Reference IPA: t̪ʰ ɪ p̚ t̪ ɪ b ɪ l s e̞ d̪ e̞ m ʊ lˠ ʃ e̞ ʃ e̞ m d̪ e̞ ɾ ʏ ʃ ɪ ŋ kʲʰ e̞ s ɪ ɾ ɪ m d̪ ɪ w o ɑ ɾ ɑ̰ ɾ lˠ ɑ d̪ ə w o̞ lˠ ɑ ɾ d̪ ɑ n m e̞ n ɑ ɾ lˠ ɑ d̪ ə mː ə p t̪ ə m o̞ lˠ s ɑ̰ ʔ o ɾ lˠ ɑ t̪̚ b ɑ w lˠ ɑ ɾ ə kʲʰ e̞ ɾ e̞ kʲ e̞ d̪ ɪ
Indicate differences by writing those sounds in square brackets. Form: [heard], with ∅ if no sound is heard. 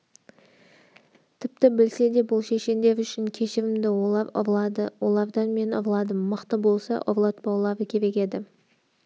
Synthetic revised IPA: t̪ʰ ɪ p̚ t̪ ɪ b ɪ l s e̞ d̪ e̞ [b] ʊ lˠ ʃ e̞ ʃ e̞ [n] d̪ e̞ ɾ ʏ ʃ ɪ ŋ kʲʰ e̞ [ʃ] ɪ ɾ ɪ m d̪ ɪ w o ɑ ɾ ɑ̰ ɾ lˠ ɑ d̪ ə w o̞ lˠ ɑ ɾ d̪ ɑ n m e̞ n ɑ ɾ lˠ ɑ d̪ ə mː ə [q] t̪ ə [b] o̞ lˠ s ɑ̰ ʔ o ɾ lˠ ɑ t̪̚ b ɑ w lˠ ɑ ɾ ə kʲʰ e̞ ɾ e̞ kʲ e̞ d̪ ɪ